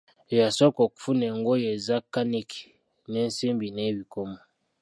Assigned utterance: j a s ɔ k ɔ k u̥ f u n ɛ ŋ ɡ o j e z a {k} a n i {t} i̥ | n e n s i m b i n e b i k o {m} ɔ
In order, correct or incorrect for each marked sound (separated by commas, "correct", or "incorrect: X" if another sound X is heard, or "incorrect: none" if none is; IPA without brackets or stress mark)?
correct, incorrect: k, correct